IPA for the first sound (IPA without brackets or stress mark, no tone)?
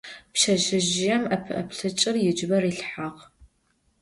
p